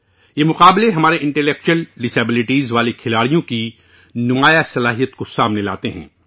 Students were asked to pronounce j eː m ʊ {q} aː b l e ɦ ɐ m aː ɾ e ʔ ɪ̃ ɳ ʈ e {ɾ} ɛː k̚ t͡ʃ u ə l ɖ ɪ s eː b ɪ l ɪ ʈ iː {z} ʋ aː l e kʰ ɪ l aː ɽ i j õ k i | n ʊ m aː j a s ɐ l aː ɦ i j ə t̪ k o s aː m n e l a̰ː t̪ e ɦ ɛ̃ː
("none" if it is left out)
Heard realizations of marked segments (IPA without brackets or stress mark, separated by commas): q, l, z